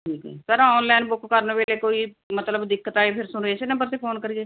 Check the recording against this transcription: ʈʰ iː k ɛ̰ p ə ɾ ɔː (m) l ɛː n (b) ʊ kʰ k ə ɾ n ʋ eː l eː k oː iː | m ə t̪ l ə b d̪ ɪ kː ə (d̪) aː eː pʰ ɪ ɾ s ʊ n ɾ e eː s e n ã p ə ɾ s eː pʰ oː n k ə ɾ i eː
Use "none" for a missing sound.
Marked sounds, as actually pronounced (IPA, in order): n, b, t̪

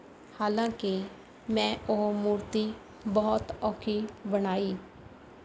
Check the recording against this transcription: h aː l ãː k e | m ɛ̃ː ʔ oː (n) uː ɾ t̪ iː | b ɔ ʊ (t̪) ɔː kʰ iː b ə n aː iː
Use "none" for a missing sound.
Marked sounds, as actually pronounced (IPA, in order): m, t̪

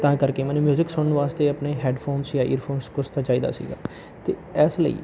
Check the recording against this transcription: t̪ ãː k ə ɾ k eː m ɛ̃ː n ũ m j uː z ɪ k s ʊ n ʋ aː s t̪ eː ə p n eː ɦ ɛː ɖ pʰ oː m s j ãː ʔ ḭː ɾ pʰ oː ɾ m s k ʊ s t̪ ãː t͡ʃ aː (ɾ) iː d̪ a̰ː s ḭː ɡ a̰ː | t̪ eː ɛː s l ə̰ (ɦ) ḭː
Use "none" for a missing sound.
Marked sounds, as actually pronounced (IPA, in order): none, none

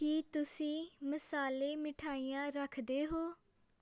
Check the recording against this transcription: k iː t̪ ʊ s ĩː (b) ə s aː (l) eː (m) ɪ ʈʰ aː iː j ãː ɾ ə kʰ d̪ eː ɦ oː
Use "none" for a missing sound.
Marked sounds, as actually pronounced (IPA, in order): m, l, m

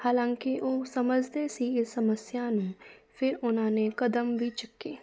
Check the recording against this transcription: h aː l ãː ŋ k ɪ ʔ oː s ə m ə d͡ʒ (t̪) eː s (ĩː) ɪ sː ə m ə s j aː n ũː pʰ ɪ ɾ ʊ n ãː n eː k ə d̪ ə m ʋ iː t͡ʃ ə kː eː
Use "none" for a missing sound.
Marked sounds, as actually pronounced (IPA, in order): d̪, iː

